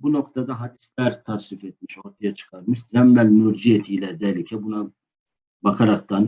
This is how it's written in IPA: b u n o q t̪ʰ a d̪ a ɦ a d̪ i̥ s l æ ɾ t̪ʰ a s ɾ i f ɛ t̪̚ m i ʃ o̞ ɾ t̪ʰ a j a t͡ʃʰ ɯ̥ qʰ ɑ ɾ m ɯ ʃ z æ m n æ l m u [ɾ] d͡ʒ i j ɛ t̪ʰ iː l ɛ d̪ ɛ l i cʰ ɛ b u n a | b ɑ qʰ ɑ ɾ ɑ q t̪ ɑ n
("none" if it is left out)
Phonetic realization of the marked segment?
ɾ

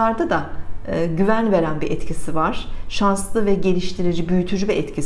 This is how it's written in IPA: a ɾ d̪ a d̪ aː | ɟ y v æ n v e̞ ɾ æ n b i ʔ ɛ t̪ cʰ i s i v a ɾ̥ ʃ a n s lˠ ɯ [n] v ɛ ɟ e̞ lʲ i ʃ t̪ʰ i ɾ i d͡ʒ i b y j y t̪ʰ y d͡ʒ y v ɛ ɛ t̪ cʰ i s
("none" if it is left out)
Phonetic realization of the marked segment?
none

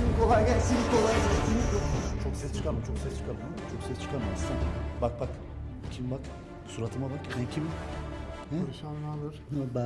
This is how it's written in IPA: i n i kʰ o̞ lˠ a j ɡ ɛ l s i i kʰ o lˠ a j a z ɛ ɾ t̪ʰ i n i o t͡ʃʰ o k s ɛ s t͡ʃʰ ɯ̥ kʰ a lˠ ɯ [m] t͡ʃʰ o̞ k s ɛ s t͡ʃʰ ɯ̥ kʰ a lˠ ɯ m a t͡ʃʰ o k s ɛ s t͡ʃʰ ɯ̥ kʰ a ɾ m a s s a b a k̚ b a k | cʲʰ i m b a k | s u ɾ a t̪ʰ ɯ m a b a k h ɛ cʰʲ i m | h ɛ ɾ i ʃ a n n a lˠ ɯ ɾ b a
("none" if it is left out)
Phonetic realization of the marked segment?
m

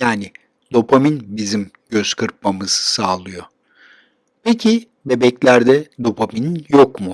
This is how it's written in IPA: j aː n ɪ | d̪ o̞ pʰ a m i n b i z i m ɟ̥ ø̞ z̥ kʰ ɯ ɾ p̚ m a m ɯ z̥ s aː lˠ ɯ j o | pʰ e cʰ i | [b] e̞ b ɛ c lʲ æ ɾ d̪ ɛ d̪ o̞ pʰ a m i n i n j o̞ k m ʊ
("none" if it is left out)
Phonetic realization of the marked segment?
b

